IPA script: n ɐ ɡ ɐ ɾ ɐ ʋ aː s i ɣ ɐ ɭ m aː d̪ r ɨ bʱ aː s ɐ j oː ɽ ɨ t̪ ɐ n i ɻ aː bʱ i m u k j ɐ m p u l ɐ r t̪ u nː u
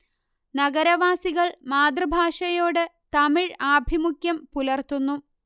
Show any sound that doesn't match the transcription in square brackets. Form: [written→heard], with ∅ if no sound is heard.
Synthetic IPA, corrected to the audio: n ɐ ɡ ɐ ɾ ɐ ʋ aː s i ɣ ɐ ɭ m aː d̪ r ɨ bʱ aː [s→ʂ] ɐ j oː ɽ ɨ t̪ ɐ [n→m] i ɻ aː bʱ i m u k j ɐ m p u l ɐ r t̪ u nː u